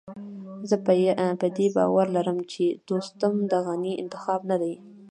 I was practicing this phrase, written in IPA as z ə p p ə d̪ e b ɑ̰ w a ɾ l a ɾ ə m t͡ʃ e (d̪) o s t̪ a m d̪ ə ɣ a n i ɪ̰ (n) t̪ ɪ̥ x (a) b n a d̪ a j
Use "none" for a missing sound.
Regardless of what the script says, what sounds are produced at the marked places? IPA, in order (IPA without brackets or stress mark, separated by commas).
d̪, n, ɑ